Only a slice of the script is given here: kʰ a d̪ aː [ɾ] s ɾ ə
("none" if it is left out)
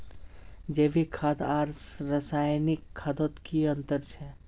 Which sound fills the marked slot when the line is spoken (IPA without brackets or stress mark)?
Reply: ɾ